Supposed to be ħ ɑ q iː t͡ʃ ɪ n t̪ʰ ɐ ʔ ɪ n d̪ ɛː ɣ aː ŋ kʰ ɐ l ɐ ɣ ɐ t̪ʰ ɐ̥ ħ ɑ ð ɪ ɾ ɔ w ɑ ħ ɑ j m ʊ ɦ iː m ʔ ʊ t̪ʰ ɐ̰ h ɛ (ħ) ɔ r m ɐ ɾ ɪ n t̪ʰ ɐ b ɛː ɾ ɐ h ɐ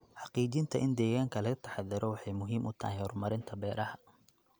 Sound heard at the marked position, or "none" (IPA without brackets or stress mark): h